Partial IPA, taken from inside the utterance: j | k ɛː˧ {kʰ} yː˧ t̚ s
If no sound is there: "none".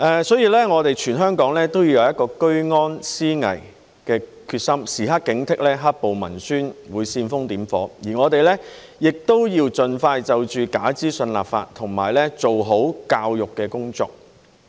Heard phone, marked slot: kʰ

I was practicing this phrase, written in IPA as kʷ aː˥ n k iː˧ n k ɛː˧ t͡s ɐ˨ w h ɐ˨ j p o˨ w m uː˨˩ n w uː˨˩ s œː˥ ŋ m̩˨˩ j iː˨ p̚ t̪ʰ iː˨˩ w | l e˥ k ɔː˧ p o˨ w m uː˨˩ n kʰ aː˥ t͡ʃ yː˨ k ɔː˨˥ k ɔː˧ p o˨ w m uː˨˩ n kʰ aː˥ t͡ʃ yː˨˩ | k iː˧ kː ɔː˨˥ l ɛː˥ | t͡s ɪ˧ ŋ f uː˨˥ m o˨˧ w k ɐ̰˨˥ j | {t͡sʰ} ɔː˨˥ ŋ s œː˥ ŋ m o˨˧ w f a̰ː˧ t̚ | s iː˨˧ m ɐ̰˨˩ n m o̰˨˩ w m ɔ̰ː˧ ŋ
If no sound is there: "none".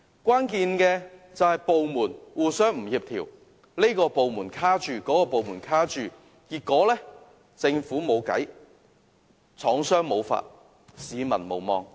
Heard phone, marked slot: t͡sʰ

